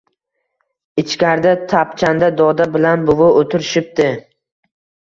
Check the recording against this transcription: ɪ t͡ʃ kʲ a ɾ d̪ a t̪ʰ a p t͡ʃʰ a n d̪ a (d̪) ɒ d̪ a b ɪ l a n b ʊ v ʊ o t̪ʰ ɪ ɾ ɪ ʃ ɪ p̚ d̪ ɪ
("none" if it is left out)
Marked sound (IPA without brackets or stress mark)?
d̪